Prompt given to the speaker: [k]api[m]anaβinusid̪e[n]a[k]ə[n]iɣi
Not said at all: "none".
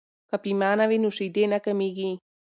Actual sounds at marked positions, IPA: k, m, n, k, m

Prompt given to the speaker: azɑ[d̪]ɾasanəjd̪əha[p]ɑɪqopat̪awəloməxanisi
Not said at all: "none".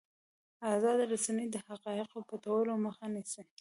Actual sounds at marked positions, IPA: d̪, q

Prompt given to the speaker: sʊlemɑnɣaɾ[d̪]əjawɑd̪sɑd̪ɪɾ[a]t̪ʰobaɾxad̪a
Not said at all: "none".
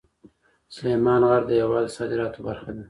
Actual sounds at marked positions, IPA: d̪, ɑ

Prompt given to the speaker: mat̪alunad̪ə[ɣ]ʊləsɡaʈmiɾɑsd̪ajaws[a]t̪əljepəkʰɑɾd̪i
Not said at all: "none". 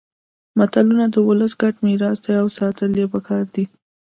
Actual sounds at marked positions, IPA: w, ɑ

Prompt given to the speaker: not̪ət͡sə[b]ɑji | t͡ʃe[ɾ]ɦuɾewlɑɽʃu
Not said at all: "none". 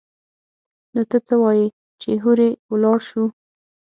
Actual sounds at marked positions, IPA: w, none

